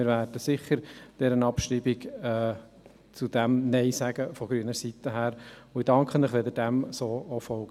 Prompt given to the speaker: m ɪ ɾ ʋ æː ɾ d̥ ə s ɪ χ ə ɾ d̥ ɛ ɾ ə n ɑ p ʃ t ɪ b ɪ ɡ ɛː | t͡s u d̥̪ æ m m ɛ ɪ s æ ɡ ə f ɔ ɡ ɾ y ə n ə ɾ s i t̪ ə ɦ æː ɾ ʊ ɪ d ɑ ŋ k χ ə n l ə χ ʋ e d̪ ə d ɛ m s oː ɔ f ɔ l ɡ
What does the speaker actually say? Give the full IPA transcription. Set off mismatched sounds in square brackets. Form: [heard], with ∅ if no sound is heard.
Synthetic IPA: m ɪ ɾ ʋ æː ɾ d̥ ə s ɪ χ ə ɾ d̥ ɛ ɾ ə n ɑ p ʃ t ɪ b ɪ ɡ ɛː | t͡s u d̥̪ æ m [n] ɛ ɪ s æ ɡ ə f ɔ ɡ ɾ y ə n ə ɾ s i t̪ ə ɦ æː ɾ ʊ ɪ d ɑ ŋ k χ ə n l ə χ ʋ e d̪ ə d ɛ m s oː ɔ f ɔ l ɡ